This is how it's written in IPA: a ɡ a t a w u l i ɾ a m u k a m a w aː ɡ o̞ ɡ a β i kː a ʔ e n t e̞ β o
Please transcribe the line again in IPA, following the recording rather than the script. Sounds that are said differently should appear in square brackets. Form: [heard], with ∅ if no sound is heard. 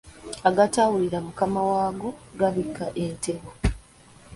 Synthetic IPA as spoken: a ɡ a t a w u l i ɾ a m u k a m a w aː ɡ o̞ ɡ a β i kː a ʔ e n t e̞ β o